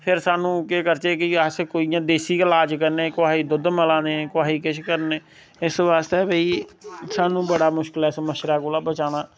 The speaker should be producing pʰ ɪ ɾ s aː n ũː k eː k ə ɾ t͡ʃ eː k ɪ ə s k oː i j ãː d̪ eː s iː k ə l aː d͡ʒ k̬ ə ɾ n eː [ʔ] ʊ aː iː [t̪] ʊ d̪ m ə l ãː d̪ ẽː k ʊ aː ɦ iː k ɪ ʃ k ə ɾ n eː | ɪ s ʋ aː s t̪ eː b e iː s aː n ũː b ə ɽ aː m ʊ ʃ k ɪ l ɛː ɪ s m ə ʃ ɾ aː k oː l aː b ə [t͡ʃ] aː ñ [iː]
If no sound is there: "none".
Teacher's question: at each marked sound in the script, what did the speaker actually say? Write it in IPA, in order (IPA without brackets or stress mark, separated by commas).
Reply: k, d̪, t͡ʃ, aː